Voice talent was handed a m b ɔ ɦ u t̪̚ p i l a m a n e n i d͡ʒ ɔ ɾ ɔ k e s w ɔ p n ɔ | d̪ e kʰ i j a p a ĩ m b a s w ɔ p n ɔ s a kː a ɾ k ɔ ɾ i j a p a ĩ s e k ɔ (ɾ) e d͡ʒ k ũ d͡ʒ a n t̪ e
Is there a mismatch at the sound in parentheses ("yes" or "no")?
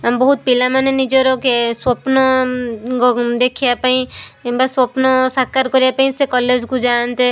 yes